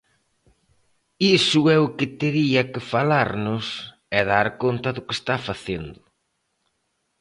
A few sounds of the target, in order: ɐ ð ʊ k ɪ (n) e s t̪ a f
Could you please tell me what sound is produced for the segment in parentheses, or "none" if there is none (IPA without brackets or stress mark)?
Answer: none